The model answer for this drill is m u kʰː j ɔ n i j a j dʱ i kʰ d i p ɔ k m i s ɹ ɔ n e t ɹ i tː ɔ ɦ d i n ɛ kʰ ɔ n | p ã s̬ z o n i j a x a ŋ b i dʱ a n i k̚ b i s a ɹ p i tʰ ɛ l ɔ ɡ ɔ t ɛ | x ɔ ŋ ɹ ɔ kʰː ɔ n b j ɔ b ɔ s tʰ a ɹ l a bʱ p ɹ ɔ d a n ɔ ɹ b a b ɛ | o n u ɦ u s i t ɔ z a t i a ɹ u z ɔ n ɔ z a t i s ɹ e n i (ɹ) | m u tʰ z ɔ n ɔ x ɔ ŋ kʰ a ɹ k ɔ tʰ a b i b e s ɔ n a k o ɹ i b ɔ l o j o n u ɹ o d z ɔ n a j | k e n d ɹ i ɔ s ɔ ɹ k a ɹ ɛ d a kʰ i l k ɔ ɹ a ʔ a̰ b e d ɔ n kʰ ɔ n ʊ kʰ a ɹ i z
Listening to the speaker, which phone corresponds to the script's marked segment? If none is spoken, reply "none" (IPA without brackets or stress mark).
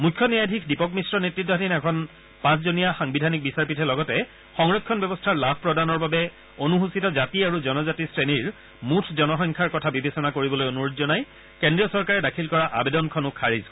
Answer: ɹ